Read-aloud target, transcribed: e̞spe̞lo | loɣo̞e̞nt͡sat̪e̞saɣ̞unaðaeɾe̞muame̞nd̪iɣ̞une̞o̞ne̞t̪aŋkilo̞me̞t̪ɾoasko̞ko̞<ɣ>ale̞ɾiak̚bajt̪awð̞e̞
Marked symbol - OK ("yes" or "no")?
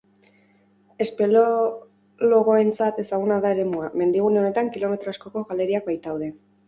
yes